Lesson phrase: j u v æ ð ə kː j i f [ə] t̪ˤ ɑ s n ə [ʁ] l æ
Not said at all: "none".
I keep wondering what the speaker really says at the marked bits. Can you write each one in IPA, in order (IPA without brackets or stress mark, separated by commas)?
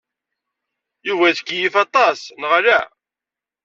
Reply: ɑ, ʁ